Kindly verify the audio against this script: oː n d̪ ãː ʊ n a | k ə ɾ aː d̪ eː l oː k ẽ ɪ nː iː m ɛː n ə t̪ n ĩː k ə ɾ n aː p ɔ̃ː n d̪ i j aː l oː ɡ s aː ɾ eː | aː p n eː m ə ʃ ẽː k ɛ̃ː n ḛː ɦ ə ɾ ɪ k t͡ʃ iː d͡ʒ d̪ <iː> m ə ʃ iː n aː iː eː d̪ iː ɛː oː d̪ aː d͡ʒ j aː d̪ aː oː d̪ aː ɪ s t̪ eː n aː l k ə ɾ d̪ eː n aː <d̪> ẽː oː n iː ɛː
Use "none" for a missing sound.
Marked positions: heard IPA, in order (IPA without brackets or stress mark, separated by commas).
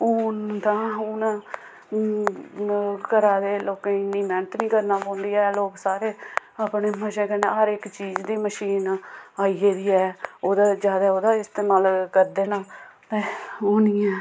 iː, t̪